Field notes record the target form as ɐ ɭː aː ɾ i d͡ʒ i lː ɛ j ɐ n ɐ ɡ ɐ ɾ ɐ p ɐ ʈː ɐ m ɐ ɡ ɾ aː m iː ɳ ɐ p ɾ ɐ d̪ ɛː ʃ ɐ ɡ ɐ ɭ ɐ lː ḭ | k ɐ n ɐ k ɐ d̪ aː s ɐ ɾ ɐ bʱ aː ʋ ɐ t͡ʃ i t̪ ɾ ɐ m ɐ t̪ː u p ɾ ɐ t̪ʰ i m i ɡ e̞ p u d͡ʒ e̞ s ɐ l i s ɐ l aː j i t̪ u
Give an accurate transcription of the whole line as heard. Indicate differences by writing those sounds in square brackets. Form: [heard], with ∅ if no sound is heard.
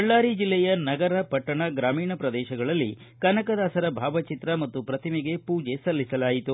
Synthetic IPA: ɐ ɭː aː ɾ i d͡ʒ i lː ɛ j ɐ n ɐ ɡ ɐ ɾ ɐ p ɐ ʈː ɐ [ɳ] ɐ ɡ ɾ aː m iː ɳ ɐ p ɾ ɐ d̪ ɛː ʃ ɐ ɡ ɐ ɭ ɐ lː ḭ | k ɐ n ɐ k ɐ d̪ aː s ɐ ɾ ɐ bʱ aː ʋ ɐ t͡ʃ i t̪ ɾ ɐ m ɐ t̪ː u p ɾ ɐ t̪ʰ i m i ɡ e̞ p [uː] d͡ʒ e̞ s ɐ [lː] i s ɐ l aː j i t̪ u